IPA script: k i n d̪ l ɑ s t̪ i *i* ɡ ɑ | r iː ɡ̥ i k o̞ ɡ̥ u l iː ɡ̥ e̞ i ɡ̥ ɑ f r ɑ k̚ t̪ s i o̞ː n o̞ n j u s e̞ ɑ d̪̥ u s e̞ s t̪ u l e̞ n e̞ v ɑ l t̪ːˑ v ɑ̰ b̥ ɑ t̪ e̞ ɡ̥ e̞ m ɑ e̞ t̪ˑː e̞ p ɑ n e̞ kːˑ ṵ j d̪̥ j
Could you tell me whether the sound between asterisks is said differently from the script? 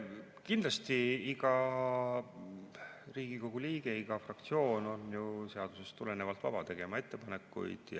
no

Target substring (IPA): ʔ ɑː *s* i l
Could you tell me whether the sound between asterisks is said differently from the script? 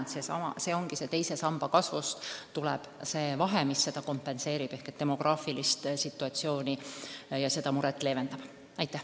yes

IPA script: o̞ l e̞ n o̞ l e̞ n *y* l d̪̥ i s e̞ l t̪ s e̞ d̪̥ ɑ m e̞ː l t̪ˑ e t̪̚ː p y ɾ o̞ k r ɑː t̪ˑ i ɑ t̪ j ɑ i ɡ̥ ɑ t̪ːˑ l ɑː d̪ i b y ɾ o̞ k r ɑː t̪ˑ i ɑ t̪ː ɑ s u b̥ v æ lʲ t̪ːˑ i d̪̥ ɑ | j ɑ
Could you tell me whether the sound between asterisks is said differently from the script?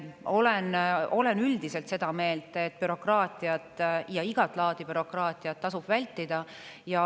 no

